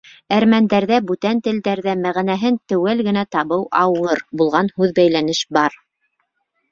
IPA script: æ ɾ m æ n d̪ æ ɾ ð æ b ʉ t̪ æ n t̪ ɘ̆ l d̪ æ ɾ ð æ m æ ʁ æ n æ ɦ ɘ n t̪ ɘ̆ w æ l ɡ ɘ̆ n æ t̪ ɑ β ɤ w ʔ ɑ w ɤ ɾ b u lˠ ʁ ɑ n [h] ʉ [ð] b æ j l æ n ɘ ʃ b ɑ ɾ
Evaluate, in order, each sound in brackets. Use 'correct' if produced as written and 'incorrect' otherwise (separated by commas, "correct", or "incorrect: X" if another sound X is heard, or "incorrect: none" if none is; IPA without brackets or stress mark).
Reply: correct, correct